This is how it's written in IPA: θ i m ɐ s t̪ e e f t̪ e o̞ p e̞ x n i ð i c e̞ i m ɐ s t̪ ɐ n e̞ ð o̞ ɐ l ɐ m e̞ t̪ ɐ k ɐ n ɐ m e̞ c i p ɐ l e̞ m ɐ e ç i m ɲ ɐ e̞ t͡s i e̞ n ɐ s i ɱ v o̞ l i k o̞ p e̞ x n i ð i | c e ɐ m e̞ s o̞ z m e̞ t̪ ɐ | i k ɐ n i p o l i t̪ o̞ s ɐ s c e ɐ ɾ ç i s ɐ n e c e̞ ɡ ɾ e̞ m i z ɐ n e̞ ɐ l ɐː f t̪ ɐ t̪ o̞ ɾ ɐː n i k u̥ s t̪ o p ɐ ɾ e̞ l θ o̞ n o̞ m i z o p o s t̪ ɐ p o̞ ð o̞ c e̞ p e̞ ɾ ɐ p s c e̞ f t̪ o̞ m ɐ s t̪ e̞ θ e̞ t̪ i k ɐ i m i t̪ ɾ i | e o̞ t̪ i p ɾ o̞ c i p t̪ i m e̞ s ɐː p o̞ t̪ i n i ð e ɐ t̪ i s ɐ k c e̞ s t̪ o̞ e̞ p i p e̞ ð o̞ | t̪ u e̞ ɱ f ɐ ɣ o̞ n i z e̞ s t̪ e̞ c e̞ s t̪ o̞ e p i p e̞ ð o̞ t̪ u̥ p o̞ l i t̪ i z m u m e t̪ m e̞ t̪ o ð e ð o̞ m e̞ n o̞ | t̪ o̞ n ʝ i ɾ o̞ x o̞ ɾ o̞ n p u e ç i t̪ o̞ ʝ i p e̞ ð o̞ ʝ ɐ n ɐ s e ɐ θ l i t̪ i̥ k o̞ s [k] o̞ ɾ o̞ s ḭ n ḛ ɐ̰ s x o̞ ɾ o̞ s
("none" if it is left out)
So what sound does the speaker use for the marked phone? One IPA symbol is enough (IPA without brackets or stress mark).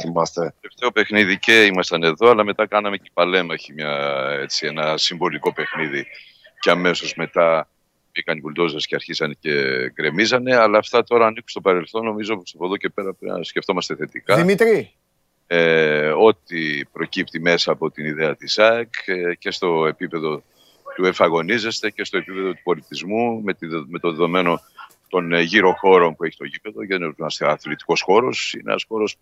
x